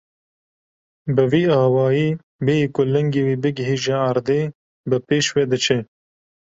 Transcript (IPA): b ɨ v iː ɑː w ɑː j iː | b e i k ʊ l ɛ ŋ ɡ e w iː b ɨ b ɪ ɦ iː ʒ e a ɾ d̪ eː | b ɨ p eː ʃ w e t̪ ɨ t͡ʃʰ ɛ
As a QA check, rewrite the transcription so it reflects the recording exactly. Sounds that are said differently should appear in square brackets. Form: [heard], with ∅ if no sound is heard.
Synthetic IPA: b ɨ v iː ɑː w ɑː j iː | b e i k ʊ l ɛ ŋ ɡ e w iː b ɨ [ɡ] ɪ ɦ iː ʒ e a ɾ d̪ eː | b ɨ p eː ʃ w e [d̪] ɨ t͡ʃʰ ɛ